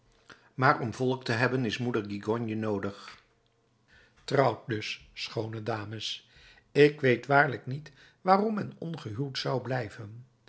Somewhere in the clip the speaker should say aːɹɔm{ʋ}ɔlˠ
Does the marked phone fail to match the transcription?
yes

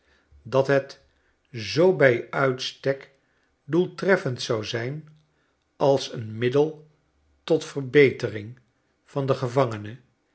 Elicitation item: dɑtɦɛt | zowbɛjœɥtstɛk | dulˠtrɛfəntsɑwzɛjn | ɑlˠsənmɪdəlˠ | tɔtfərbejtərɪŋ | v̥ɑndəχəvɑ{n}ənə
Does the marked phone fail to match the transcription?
yes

